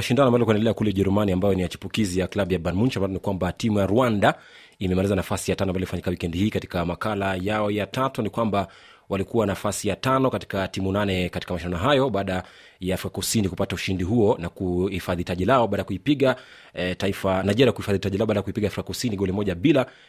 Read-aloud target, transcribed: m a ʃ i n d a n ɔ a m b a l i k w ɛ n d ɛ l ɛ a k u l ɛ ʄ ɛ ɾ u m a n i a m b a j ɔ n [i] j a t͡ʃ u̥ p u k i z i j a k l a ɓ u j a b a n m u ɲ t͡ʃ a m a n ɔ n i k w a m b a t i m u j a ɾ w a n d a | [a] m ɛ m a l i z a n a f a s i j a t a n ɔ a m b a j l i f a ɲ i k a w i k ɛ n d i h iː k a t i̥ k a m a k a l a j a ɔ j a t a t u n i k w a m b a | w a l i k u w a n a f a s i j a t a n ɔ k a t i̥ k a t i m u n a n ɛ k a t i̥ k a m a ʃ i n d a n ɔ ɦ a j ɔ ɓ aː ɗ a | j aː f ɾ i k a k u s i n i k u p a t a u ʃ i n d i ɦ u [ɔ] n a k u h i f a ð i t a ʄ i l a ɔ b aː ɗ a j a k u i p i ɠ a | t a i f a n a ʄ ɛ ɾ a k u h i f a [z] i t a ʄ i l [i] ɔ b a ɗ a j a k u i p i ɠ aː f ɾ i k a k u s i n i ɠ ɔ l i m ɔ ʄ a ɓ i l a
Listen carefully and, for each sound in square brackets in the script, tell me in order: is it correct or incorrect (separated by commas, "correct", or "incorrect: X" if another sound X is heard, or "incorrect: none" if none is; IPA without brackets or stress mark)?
correct, incorrect: i, correct, incorrect: ð, incorrect: a